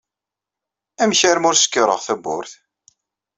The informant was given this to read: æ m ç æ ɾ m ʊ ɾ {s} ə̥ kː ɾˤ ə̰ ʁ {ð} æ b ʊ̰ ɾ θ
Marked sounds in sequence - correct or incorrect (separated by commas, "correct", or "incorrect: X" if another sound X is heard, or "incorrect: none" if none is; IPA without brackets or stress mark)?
correct, incorrect: θ